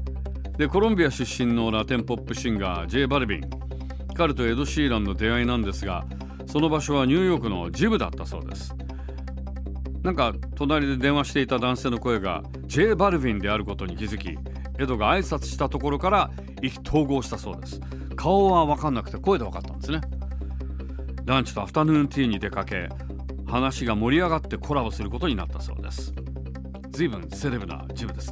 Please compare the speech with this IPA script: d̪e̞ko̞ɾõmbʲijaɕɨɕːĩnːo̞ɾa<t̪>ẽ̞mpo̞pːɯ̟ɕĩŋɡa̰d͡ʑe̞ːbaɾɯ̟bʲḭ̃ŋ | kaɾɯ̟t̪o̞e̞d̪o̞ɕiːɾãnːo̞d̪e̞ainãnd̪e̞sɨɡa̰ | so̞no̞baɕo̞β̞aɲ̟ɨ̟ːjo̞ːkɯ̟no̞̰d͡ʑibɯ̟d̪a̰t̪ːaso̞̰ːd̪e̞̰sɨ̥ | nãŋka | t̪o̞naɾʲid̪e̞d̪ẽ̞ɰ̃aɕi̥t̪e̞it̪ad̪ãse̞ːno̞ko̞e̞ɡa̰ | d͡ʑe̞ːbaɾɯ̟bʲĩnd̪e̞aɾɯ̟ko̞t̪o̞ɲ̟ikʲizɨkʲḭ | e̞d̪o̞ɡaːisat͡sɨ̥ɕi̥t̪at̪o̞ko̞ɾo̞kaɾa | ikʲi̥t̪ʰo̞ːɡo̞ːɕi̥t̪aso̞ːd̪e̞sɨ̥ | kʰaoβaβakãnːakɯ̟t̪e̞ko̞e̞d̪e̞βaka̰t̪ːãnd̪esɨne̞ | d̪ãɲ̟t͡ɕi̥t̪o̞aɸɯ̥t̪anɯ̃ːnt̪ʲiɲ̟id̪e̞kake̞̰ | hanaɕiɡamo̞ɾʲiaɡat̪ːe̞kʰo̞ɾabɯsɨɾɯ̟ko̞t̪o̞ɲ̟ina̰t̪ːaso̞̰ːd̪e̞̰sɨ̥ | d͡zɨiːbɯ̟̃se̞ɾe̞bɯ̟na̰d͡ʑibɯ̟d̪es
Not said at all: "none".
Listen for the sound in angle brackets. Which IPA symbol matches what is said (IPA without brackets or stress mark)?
t̪